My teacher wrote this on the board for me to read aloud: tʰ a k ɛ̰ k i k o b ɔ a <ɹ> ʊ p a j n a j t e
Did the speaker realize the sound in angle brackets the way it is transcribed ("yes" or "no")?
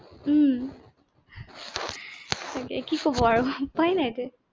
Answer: yes